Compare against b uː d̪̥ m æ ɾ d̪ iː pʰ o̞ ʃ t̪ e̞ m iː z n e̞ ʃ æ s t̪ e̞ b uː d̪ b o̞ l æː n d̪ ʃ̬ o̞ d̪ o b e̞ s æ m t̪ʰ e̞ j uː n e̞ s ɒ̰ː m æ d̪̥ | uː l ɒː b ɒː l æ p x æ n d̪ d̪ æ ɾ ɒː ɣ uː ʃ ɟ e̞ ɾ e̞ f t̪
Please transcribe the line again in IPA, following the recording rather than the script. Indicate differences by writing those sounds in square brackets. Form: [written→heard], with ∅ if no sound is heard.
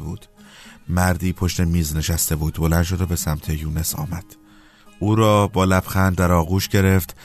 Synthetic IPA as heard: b uː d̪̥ m æ ɾ d̪ iː pʰ o̞ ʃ t̪ e̞ m iː z n e̞ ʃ æ s t̪ e̞ b uː d̪ b o̞ l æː n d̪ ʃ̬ o̞ d̪ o b e̞ s æ m t̪ʰ e̞ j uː n e̞ s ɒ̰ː m æ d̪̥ | uː [l→ɾ] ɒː b ɒː l æ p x æ n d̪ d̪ æ ɾ ɒː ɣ uː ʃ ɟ e̞ ɾ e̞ f t̪